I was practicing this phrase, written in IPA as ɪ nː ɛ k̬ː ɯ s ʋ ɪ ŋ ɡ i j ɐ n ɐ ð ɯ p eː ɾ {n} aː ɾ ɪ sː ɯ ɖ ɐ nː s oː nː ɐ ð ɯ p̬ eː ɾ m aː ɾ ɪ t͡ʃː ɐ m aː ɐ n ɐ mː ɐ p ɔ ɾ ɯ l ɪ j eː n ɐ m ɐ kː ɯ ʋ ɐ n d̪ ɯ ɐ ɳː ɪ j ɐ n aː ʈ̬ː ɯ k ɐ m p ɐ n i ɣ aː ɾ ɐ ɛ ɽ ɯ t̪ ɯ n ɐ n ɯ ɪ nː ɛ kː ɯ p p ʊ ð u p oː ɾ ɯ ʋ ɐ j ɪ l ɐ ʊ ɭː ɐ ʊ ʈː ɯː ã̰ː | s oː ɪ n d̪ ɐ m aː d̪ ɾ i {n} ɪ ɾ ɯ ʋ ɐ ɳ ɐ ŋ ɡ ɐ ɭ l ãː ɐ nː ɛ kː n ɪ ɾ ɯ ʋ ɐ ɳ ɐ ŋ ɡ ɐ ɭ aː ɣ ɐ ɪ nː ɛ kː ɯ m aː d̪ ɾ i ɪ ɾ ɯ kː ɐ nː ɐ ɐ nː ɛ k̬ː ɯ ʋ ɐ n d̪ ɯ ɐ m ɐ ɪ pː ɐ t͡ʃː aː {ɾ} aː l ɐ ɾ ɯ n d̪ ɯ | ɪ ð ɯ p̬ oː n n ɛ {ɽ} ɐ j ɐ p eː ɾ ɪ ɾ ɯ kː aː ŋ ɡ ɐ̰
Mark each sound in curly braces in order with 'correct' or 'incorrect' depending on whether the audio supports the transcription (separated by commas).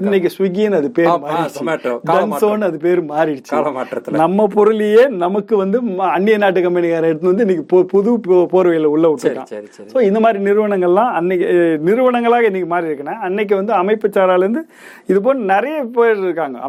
incorrect, correct, correct, incorrect